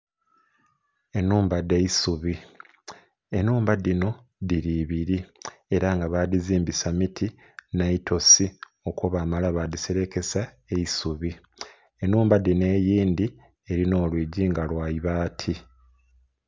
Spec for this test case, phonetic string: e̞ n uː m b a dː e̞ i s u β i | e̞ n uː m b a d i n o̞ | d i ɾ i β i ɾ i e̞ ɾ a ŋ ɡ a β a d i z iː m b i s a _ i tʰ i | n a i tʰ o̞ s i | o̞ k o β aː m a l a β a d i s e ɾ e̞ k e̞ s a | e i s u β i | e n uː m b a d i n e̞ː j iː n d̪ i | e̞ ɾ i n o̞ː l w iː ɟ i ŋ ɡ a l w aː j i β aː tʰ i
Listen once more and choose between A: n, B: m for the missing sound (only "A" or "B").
B